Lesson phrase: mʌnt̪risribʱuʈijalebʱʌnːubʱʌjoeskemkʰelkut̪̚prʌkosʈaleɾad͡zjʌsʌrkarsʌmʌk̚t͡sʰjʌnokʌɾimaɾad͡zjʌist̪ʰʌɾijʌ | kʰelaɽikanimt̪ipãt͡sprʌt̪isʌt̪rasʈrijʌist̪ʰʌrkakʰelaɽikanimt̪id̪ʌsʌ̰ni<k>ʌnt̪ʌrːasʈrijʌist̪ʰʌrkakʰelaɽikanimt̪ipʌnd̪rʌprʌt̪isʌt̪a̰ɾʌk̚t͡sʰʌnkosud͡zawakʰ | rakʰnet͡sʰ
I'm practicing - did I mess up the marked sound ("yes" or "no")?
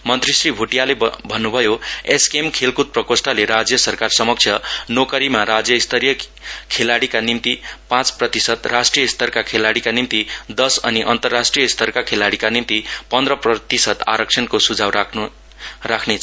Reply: yes